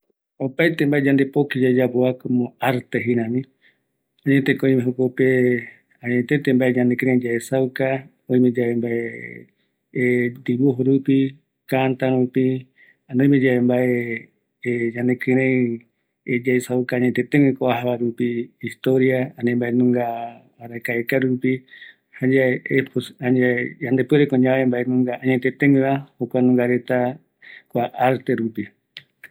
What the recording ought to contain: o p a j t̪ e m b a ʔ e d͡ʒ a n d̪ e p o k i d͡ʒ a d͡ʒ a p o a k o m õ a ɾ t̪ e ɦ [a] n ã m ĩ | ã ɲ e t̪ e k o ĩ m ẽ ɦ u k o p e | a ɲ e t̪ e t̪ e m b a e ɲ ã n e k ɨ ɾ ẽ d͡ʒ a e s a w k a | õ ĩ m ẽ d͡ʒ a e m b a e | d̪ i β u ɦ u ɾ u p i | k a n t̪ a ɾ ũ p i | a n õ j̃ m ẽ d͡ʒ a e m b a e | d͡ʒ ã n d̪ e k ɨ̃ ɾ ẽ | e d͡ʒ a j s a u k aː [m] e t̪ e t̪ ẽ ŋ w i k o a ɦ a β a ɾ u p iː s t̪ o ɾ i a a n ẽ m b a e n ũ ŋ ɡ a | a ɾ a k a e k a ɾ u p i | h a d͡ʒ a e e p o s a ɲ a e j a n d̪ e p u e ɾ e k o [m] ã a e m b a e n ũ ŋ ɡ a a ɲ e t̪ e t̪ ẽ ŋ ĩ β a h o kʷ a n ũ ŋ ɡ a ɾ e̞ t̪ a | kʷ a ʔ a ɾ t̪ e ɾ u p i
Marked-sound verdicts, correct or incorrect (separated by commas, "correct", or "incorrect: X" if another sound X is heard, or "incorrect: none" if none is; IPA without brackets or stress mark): incorrect: i, incorrect: ɲ, incorrect: ɲ